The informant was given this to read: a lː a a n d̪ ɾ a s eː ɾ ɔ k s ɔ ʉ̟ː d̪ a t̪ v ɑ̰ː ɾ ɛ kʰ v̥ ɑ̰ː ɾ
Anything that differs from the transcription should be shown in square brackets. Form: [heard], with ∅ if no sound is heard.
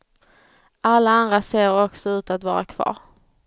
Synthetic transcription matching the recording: a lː a a n d̪ ɾ a s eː ɾ ɔ k s ɔ ʉ̟ː [t̪] a t̪ v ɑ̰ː ɾ [a] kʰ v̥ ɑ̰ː ɾ